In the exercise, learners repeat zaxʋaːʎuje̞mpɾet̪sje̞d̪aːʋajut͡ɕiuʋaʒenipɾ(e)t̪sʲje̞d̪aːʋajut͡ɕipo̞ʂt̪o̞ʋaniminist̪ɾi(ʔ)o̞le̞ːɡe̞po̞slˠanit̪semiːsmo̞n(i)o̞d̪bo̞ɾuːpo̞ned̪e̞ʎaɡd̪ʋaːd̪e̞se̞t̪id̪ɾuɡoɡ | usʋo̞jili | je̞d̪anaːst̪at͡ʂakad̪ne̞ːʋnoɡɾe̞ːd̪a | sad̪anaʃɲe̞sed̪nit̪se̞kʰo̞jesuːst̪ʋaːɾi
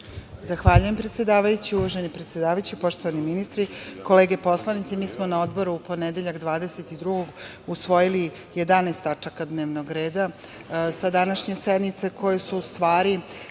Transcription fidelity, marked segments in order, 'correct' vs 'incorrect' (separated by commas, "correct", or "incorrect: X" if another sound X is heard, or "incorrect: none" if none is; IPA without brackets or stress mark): correct, incorrect: k, incorrect: a